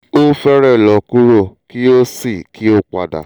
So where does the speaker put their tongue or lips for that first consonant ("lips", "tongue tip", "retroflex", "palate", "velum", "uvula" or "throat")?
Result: lips